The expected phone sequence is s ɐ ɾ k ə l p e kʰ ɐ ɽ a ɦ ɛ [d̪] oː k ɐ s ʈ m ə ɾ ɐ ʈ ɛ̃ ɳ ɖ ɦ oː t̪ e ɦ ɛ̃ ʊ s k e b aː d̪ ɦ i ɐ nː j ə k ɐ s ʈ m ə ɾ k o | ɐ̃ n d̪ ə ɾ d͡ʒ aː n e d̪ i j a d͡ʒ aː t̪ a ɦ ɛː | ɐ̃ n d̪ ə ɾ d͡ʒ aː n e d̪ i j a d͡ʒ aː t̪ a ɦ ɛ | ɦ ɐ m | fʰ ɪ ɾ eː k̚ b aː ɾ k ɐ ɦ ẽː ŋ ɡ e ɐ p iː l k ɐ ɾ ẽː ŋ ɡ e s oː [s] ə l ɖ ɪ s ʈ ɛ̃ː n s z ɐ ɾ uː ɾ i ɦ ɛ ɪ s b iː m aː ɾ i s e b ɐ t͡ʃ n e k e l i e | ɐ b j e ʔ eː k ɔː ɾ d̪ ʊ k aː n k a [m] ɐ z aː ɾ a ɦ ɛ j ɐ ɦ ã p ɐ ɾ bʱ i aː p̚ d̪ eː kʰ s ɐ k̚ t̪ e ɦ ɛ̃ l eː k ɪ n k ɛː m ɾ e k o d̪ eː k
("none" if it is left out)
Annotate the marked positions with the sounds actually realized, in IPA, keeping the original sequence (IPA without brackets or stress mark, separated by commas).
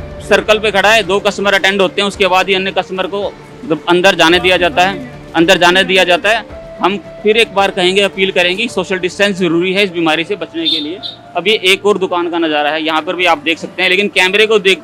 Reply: d̪, ʃ, n